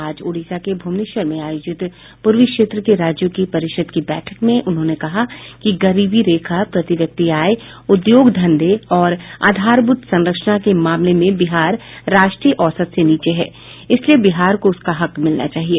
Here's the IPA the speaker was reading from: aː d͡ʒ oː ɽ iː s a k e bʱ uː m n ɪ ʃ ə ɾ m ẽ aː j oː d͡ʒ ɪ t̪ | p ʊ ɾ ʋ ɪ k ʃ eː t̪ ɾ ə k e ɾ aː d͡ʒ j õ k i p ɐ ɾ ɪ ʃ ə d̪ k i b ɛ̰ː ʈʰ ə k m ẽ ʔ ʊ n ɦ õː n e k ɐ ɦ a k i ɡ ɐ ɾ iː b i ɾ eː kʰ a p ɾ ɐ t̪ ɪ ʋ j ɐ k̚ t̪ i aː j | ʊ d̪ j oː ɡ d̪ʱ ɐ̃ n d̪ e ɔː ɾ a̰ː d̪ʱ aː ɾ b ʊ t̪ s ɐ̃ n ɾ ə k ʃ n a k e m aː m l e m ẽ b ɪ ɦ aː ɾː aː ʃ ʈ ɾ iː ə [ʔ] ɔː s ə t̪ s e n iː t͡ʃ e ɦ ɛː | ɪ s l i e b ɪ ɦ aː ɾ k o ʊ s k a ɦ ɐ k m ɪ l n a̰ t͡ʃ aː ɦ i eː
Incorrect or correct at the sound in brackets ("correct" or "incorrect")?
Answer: correct